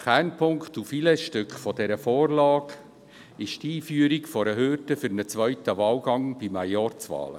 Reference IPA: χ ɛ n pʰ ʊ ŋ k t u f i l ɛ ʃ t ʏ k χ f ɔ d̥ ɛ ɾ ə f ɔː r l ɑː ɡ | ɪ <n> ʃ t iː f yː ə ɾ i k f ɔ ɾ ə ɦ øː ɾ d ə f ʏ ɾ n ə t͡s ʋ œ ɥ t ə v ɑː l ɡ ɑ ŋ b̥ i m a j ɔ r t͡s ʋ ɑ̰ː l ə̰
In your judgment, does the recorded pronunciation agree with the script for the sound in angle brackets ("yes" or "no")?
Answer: no